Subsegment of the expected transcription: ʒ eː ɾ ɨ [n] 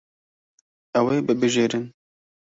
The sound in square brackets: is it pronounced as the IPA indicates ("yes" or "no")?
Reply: yes